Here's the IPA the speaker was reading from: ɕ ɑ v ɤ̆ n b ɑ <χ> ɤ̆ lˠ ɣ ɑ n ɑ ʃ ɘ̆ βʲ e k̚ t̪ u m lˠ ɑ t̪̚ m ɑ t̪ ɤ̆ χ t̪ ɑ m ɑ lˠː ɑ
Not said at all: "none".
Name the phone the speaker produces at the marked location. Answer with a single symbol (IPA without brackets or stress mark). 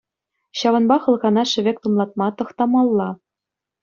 χ